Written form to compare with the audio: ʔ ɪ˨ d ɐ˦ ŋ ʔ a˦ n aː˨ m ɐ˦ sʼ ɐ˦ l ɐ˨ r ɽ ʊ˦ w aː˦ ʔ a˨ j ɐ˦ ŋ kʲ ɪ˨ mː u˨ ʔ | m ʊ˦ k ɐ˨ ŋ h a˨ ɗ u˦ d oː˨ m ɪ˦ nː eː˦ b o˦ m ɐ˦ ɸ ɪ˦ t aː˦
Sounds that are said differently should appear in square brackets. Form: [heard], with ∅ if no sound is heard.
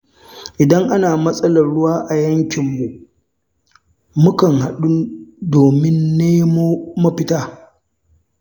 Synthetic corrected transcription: ʔ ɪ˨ d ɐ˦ ŋ ʔ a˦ n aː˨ m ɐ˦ sʼ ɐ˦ l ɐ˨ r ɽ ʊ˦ w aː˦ ʔ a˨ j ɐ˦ ŋ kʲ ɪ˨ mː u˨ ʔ | m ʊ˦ k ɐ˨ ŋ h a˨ ɗ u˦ d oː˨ m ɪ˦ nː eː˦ [m] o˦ m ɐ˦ ɸ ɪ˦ t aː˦